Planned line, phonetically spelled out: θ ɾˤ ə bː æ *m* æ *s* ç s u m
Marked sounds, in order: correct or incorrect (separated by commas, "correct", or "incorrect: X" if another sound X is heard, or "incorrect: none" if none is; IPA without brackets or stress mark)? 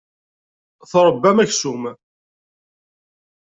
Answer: correct, incorrect: none